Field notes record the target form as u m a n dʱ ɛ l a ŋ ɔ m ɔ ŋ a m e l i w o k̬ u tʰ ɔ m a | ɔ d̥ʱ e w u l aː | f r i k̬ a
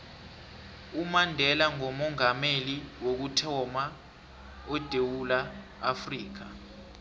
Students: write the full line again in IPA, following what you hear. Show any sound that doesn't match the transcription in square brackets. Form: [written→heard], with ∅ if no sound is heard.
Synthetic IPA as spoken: u m a n dʱ ɛ l a ŋ ɔ m ɔ ŋ a m e l i w o k̬ u tʰ ɔ m a | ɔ d̥ʱ e w u l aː | f r [i→iː] k̬ a